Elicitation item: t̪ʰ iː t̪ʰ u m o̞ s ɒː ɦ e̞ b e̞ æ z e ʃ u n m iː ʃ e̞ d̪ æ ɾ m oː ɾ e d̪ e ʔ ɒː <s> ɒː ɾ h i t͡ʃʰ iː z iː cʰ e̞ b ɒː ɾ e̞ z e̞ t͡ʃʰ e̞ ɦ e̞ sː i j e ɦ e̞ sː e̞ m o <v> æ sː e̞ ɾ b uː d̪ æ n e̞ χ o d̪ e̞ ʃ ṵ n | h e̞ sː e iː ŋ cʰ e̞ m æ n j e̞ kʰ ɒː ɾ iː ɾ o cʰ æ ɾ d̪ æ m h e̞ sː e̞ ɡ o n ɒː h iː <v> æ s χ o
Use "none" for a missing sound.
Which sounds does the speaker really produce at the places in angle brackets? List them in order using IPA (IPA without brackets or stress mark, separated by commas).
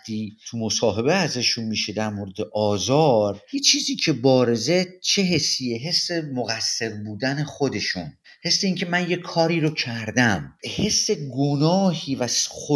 z, ɣ, v